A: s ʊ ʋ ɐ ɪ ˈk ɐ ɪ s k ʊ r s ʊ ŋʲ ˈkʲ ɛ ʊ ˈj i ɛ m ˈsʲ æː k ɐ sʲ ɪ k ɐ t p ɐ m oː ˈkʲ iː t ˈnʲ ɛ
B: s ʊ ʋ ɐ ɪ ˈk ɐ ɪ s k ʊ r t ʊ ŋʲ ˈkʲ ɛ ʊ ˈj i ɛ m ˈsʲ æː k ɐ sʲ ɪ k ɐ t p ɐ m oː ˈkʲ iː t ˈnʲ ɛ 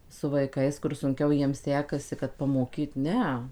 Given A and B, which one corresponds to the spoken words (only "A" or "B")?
A